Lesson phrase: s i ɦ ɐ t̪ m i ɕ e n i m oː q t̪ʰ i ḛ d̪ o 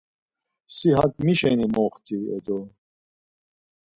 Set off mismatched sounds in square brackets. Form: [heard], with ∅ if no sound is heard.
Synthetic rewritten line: s i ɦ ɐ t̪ m i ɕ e n i m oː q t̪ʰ i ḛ d̪ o